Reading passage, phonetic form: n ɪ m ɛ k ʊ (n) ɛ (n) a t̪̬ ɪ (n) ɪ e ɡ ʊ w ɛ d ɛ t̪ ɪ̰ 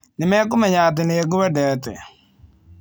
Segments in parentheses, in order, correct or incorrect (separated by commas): incorrect, incorrect, correct